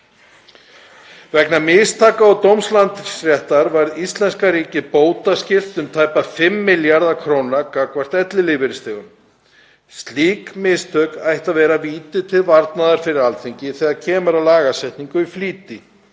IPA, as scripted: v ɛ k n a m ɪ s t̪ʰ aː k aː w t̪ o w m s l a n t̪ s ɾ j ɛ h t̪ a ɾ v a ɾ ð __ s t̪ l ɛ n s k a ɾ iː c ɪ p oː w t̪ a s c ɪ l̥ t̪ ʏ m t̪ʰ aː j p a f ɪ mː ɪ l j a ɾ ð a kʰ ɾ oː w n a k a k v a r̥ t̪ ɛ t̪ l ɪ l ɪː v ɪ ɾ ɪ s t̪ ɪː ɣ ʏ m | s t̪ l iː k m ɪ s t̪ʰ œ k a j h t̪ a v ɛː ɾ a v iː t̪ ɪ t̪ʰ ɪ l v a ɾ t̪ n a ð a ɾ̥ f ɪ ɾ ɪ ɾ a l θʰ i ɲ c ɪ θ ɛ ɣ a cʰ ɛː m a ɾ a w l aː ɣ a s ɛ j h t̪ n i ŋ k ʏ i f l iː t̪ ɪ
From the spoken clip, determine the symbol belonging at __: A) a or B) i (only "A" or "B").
B